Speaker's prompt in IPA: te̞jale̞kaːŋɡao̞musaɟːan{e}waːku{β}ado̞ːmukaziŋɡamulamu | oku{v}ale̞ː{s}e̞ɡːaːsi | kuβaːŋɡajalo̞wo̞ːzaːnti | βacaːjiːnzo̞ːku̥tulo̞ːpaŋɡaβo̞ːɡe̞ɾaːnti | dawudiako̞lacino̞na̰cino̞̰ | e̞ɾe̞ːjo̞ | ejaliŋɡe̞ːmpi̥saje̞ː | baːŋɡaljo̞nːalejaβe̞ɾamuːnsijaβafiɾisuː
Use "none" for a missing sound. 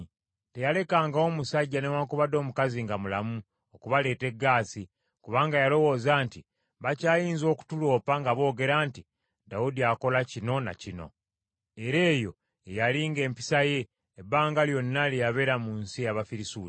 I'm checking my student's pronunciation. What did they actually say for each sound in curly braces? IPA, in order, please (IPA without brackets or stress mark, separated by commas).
e, β, β, t